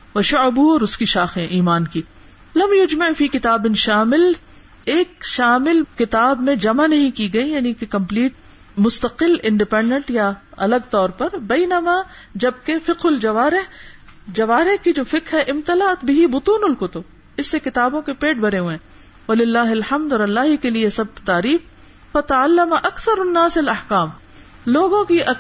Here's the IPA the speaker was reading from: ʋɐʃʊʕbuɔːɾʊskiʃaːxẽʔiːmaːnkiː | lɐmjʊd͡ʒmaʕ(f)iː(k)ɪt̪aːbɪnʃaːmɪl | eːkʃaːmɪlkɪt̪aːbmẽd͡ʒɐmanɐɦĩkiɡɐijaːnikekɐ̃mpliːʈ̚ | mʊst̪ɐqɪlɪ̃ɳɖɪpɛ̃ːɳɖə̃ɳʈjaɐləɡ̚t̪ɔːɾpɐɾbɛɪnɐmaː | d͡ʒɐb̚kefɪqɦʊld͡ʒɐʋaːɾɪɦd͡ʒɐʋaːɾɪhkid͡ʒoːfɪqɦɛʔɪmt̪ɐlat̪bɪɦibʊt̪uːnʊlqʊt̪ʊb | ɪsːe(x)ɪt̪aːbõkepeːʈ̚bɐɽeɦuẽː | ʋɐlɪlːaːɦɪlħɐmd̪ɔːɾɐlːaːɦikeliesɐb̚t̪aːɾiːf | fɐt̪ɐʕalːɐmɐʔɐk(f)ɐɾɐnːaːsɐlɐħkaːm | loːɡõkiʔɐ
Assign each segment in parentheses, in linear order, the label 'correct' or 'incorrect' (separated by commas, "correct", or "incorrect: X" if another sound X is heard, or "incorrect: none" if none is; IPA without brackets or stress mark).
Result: correct, correct, incorrect: k, incorrect: θ